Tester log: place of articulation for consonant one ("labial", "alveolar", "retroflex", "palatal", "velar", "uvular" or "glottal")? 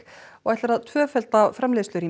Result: velar